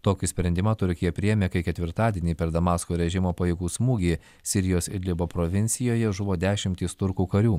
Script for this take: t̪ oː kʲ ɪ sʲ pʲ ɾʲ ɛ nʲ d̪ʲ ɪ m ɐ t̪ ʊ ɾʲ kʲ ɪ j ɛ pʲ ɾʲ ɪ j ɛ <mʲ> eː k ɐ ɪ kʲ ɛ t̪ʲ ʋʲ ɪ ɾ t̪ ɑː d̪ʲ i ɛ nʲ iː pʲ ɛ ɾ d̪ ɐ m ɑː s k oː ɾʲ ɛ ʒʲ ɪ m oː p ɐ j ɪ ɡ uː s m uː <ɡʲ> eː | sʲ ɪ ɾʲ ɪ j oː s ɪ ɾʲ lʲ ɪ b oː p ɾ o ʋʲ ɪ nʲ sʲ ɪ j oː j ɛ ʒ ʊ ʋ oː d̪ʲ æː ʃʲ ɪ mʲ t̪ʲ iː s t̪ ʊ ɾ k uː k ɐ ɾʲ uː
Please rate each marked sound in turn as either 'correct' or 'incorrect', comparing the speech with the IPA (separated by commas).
correct, correct